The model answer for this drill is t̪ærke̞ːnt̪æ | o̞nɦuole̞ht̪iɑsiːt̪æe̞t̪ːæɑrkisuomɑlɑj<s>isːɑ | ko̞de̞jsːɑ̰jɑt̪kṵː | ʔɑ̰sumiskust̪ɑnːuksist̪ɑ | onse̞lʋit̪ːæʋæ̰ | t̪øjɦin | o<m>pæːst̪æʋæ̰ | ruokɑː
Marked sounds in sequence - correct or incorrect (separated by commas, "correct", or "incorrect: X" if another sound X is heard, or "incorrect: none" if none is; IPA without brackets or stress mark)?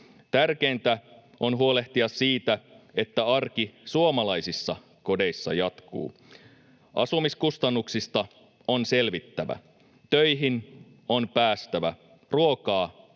correct, incorrect: n